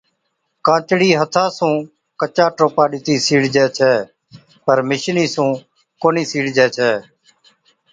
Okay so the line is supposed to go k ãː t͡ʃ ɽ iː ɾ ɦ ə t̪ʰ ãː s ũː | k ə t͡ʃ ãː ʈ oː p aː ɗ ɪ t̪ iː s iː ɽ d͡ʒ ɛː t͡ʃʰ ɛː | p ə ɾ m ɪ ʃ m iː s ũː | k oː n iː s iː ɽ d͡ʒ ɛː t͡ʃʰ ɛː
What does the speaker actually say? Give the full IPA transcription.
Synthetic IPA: k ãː t͡ʃ ɽ iː ɦ ə t̪ʰ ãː s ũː | k ə t͡ʃ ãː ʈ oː p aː ɗ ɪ t̪ iː s iː ɽ d͡ʒ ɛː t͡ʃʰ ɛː | p ə ɾ m ɪ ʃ n iː s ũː | k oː n iː s iː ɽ d͡ʒ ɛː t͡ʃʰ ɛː

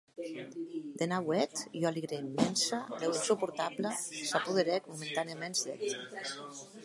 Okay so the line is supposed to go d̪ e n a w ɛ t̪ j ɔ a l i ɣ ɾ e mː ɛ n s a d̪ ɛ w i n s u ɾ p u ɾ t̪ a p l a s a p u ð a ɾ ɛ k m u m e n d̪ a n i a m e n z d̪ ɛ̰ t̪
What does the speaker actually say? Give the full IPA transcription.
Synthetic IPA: d̪ e n a w ɛ t̪ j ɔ a l i ɣ ɾ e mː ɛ n s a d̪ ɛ w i n s u p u ɾ t̪ a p l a s a p u ð e ɾ ɛ k m u m e n t̪ a n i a m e n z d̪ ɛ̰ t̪

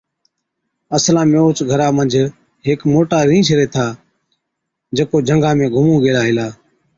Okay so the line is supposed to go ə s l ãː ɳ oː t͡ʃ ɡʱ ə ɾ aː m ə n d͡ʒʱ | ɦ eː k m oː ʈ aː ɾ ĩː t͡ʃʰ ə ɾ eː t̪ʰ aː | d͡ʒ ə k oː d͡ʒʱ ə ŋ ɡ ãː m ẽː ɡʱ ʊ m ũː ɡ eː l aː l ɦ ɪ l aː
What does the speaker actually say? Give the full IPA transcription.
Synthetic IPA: ə s l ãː m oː t͡ʃ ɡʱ ə ɾ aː m ə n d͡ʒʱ | ɦ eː k m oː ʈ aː ɾ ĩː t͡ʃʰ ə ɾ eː t̪ʰ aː | d͡ʒ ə k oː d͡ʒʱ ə ŋ ɡ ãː m ẽː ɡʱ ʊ m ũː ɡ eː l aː ɦ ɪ l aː

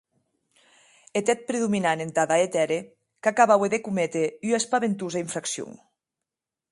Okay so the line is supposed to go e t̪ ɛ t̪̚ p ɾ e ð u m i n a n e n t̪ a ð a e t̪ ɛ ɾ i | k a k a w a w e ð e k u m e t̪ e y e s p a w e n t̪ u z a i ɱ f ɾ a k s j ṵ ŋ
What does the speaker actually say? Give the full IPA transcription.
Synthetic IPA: e t̪ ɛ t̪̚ p ɾ e ð u m i n a n e n t̪ a ð a e t̪ ɛ ɾ e | k a k a β a w e ð e k u m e t̪ e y e s p a β e n t̪ u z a i ɱ f ɾ a k s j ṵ ŋ

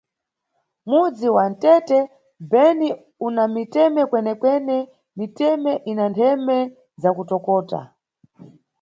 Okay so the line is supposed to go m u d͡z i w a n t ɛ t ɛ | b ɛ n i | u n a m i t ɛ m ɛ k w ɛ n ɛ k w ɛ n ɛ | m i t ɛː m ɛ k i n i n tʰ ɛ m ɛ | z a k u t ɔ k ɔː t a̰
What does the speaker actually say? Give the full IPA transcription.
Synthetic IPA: m u d͡z i w a n t ɛ t ɛ | b ɛ n i | u n a m i t ɛ m ɛ k w ɛ n ɛ k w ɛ n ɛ | m i t ɛ m ɛ ʔ i n a n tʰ ɛ m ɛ | z a k u t ɔ k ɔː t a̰

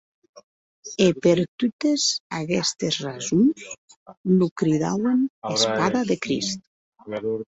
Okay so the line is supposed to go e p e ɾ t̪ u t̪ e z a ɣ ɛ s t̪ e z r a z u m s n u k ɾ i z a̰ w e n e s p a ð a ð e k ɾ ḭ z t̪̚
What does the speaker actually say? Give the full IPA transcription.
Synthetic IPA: e p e ɾ t̪ u t̪ e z a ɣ ɛ s t̪ e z r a z u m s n u k ɾ i ð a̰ w e n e s p a ð a ð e k ɾ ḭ s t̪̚

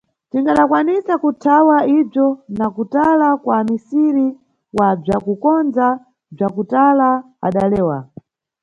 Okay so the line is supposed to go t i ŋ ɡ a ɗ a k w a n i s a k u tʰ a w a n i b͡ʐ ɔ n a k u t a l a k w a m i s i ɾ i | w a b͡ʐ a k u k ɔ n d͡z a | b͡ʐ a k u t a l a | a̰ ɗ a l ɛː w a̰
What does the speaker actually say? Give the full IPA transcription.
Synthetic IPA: t i ŋ ɡ a ɗ a k w a n i s a k u tʰ a w a i b͡ʐ ɔ n a k u t a l a k w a m i s i ɾ i | w a b͡ʐ a k u k ɔ n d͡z a | b͡ʐ a k u t a l a | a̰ ɗ a l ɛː w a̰

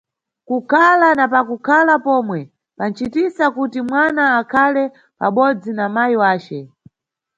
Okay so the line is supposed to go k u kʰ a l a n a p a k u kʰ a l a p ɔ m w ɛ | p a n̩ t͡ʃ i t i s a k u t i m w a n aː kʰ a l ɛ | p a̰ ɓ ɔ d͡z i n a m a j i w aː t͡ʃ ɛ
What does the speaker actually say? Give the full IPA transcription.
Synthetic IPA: k u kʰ a l a n a p a k u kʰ a l a p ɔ m w ɛ | p a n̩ t͡ʃ i t i s a k u t i m w a n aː kʰ a l ɛ | p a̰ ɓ ɔ d͡z i n a m a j i w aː t͡ʃ ɛ

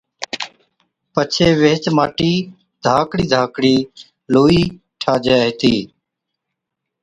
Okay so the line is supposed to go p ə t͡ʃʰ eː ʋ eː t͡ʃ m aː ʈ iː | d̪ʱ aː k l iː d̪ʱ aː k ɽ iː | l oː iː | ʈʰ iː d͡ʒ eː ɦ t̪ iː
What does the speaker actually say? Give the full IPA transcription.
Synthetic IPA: p ə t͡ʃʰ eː ʋ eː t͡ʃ m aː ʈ iː | d̪ʱ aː k ɽ iː d̪ʱ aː k ɽ iː | l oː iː | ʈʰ aː d͡ʒ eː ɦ t̪ iː

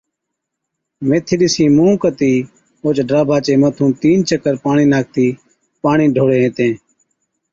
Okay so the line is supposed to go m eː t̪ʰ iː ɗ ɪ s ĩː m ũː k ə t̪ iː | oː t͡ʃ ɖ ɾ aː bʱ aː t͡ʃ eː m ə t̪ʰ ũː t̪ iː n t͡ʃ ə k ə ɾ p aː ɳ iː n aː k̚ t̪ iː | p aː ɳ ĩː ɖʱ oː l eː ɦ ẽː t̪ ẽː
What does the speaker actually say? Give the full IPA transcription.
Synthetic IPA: m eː t̪ʰ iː ɗ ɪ s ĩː m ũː k ə t̪ iː | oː t͡ʃ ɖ ɾ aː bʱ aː t͡ʃ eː m ə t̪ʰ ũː t̪ iː n t͡ʃ ə k ə ɾ p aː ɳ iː n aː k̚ t̪ iː | p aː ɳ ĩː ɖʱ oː ɽ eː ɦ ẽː t̪ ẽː

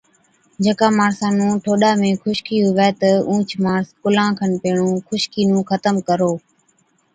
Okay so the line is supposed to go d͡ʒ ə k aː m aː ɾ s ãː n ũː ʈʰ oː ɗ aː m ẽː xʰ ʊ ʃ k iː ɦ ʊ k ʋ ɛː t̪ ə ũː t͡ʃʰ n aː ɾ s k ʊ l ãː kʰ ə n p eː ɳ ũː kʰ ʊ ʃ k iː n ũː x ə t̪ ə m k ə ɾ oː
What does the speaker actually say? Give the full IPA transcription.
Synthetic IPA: d͡ʒ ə k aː m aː ɾ s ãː n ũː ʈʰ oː ɗ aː m ẽː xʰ ʊ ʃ k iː ɦ ʊ ʋ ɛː t̪ ə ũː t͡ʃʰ m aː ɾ s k ʊ l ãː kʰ ə n p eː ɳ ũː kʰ ʊ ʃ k iː n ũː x ə t̪ ə m k ə ɾ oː

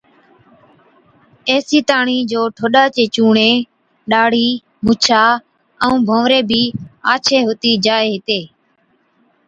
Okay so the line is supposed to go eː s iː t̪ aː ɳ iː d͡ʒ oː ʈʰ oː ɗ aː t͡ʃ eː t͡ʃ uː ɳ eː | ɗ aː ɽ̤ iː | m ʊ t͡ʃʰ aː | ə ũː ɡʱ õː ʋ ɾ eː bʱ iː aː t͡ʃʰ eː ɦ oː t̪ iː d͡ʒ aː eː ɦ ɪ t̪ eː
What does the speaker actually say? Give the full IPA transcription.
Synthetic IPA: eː s iː t̪ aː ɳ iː d͡ʒ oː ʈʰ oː ɗ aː t͡ʃ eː t͡ʃ uː ɳ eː | ɗ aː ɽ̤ iː | m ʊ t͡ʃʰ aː | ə ũː bʱ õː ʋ ɾ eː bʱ iː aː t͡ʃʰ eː ɦ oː t̪ iː d͡ʒ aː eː ɦ ɪ t̪ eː

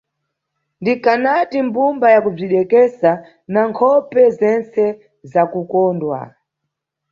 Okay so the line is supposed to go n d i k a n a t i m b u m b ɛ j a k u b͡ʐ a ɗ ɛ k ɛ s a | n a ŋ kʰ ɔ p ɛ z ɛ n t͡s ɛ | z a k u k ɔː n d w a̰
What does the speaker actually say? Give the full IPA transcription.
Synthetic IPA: n d i k a n a t i m b u m b a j a k u b͡ʐ i ɗ ɛ k ɛ s a | n a ŋ kʰ ɔ p ɛ z ɛ n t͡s ɛ | z a k u k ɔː n d w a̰

